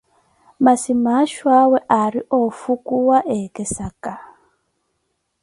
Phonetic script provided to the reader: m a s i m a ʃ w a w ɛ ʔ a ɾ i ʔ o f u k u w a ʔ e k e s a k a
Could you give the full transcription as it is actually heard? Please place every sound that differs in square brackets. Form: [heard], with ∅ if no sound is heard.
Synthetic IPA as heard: m a s i m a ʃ w a w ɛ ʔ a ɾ i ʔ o f u k u w a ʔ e k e s a k a